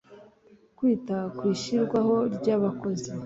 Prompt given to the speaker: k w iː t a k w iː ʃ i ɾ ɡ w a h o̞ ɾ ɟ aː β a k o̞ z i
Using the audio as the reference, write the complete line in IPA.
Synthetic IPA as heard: k w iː t a k w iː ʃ i ɾ ɡ w a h o̞ ɾ ɟ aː β a k o̞ z i